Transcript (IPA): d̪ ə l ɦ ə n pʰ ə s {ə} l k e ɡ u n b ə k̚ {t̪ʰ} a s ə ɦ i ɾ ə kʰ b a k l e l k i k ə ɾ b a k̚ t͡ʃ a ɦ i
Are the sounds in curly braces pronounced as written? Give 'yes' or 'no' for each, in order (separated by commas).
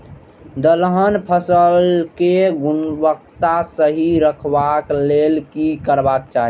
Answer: yes, no